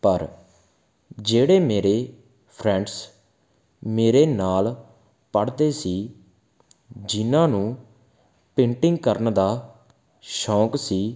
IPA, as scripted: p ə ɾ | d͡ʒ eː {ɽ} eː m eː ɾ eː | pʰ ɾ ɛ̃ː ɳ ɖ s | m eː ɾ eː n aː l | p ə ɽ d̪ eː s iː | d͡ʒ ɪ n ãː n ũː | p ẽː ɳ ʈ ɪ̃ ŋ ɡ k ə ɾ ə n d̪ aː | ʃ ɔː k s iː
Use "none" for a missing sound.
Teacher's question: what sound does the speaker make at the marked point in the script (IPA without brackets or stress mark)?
ɽ